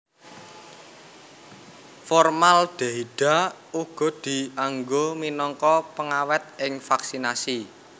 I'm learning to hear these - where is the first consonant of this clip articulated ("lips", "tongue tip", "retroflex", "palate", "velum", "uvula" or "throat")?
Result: lips